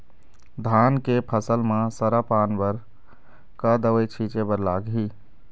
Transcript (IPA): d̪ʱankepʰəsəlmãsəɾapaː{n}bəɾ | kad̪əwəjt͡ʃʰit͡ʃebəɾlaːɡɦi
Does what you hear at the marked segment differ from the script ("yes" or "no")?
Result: no